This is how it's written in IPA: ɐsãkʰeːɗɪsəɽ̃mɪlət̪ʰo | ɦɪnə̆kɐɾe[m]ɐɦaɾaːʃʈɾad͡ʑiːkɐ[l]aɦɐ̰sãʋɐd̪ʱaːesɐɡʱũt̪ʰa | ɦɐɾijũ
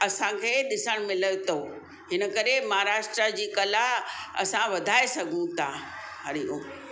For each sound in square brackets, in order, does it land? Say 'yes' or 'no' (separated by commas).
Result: yes, yes